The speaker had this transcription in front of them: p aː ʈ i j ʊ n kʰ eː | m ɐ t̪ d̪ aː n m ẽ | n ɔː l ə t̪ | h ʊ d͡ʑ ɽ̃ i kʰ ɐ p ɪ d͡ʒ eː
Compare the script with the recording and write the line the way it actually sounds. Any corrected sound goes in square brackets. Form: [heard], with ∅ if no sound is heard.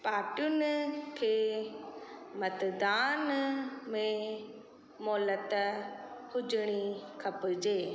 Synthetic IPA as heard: p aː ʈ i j ʊ n kʰ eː | m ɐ t̪ d̪ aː n m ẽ | [m] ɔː l ə t̪ | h ʊ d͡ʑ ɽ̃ i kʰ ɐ p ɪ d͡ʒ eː